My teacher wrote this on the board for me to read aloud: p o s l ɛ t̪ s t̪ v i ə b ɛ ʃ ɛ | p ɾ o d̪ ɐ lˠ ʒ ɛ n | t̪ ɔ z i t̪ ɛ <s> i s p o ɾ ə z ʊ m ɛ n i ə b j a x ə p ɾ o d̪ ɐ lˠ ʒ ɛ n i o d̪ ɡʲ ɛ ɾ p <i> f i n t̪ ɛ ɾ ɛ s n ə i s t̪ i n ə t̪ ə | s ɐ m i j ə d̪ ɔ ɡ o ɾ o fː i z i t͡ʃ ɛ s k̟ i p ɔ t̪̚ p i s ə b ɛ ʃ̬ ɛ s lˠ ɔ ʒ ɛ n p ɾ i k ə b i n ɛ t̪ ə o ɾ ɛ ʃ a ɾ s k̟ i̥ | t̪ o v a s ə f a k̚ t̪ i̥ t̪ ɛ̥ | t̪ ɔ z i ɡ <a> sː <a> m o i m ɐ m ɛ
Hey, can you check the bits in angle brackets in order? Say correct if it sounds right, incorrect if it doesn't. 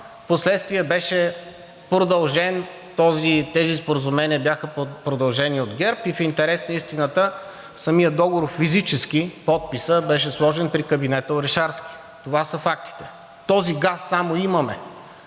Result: incorrect: z, correct, correct, correct

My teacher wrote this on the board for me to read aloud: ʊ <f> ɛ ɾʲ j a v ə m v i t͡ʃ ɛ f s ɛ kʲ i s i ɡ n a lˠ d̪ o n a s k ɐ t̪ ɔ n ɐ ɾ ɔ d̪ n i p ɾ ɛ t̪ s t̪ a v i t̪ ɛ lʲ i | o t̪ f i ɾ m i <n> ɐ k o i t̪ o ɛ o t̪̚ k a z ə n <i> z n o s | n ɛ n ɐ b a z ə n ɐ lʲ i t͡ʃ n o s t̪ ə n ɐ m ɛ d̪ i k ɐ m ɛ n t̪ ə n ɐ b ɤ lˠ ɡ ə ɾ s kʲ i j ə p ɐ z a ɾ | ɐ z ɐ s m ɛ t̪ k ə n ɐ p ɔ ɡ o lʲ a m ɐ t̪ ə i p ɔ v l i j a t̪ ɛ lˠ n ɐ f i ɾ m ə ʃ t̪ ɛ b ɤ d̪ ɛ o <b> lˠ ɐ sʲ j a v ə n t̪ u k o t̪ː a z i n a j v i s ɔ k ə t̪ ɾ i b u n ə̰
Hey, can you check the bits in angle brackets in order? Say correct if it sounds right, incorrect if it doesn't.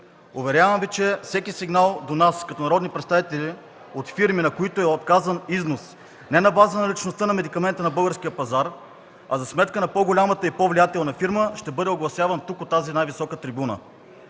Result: incorrect: v, correct, correct, incorrect: ɡ

